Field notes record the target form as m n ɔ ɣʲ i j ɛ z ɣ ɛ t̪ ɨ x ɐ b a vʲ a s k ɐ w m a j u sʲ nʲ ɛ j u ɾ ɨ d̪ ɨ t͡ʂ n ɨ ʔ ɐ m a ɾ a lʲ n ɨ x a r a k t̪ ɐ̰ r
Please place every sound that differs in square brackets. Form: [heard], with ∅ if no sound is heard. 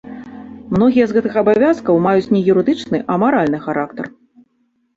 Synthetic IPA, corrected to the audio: m n ɔ ɣʲ i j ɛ z ɣ ɛ t̪ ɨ x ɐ b a vʲ a s k ɐ w m a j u [t͡sʲ] nʲ ɛ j u ɾ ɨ d̪ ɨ t͡ʂ n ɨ ʔ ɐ m a ɾ a lʲ n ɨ x a [ɾ] a k t̪ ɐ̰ r